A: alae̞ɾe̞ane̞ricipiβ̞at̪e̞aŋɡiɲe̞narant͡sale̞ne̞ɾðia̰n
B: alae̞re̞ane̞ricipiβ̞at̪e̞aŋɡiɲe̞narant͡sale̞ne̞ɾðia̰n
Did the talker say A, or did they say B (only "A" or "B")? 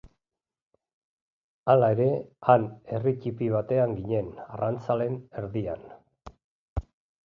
A